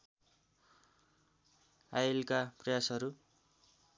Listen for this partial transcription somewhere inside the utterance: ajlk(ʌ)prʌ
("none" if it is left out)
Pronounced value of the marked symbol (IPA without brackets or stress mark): a